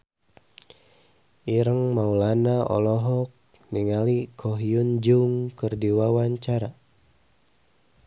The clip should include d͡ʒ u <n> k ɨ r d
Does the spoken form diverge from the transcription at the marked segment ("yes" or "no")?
yes